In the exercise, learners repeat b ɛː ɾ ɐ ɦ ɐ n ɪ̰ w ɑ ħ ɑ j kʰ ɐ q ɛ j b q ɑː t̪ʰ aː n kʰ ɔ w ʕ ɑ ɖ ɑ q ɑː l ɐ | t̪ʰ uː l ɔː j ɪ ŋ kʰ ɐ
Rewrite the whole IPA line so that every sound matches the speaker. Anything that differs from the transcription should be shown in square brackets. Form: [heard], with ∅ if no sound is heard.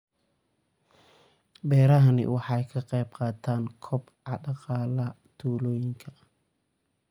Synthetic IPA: b ɛː ɾ ɐ ɦ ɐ n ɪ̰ w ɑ ħ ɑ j kʰ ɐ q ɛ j b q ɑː t̪ʰ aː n kʰ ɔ [b] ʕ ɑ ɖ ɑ q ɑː l ɐ | t̪ʰ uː l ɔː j ɪ ŋ kʰ ɐ

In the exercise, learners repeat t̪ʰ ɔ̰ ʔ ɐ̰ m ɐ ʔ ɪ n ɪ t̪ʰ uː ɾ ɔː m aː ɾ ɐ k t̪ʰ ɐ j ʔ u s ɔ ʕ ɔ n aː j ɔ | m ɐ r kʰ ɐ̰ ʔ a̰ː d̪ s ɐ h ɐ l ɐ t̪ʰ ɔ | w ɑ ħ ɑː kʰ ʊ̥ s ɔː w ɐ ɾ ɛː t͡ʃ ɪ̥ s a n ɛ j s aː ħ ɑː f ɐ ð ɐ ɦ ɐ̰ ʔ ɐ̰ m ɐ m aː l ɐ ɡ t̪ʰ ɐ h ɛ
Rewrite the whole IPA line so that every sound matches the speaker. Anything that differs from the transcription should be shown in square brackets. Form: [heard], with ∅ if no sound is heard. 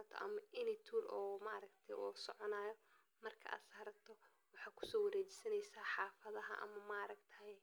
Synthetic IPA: t̪ʰ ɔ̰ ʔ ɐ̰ m ɐ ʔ ɪ n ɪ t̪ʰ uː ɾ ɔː m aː ɾ ɐ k t̪ʰ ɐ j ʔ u s ɔ ʕ ɔ n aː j ɔ | m ɐ r kʰ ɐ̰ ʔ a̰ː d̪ s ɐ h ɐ [ɾ] ɐ t̪ʰ ɔ | w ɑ ħ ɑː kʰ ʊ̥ s ɔː w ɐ ɾ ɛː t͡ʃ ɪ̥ s [ɐ] n ɛ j s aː ħ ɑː f ɐ ð ɐ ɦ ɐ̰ ʔ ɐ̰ m ɐ m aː [ɾ] ɐ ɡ t̪ʰ ɐ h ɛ

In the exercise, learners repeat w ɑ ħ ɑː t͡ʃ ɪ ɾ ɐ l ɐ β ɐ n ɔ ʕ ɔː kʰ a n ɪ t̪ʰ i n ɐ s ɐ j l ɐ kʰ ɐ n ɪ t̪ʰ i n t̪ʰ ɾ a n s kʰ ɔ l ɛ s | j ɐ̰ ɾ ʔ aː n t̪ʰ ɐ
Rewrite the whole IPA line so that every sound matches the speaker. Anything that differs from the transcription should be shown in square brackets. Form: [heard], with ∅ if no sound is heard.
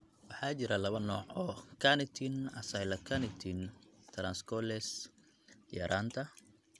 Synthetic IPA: w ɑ ħ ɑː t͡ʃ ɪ ɾ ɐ l ɐ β ɐ n [ɔː] ʕ ɔː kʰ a n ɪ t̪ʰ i n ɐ s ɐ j l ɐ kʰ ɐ n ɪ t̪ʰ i n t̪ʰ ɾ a n s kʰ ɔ l ɛ s | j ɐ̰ ɾ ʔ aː n t̪ʰ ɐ

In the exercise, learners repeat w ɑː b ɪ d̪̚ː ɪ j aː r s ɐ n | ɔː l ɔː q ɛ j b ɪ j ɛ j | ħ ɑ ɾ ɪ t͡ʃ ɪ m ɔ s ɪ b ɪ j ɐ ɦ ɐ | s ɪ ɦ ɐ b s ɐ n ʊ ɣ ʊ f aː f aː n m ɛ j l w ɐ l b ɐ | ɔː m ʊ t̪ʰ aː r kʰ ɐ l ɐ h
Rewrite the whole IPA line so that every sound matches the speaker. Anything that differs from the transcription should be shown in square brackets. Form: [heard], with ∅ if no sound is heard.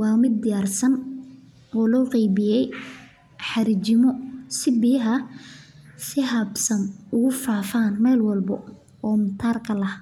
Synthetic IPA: w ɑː [m] ɪ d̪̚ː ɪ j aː r s ɐ n | ɔː l ɔː q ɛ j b ɪ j ɛ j | ħ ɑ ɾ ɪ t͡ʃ ɪ m ɔ s ɪ b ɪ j ɐ ɦ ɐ | s ɪ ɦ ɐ b s ɐ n ʊ ɣ ʊ f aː f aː n m ɛ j l w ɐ l b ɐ | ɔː m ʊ t̪ʰ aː r kʰ ɐ l ɐ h

